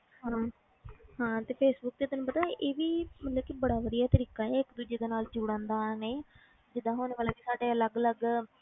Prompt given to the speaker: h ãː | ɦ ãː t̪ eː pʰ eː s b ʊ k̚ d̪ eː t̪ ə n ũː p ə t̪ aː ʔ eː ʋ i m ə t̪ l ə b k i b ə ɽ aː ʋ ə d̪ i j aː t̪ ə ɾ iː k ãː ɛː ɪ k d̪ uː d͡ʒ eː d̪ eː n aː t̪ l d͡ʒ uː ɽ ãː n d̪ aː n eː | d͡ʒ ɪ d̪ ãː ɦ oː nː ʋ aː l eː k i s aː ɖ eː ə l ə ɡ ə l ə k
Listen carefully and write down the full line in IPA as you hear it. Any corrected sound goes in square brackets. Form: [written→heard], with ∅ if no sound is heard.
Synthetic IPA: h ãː | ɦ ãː t̪ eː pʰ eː s b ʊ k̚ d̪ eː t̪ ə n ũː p ə t̪ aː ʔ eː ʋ [i→iː] m ə t̪ l ə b k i b ə ɽ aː ʋ ə d̪ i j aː t̪ ə ɾ iː k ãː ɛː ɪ k d̪ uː d͡ʒ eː d̪ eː n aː [t̪→∅] l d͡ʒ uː ɽ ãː n d̪ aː n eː | d͡ʒ ɪ d̪ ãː ɦ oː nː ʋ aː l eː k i s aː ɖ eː ə l ə ɡ ə l ə [k→ɡ]